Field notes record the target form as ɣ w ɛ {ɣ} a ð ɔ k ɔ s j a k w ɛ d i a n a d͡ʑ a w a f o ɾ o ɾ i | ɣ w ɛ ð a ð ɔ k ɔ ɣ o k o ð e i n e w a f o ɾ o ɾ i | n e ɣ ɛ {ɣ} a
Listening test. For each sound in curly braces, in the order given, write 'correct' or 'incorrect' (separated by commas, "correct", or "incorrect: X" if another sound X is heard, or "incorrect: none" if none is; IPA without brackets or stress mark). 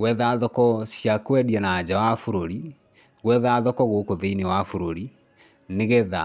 incorrect: ð, incorrect: ð